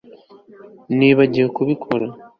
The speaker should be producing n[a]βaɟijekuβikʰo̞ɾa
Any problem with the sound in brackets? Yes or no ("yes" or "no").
yes